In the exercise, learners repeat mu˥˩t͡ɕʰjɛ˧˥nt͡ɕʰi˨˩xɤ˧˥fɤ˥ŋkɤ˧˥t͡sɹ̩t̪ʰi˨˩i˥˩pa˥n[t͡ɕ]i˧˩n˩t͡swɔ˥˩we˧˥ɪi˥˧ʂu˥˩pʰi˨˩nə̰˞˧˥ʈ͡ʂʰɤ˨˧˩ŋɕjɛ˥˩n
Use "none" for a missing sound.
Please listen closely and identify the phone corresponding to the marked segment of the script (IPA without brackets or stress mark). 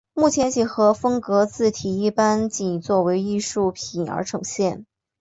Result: t͡ɕ